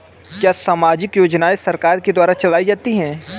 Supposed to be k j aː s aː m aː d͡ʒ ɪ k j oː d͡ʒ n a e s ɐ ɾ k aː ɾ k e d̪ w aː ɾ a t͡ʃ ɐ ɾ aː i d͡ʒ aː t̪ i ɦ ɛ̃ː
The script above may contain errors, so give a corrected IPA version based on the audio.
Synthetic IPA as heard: k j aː s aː m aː d͡ʒ ɪ k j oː d͡ʒ n a e s ɐ ɾ k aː ɾ k e d̪ w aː ɾ a t͡ʃ ɐ l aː i d͡ʒ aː t̪ i ɦ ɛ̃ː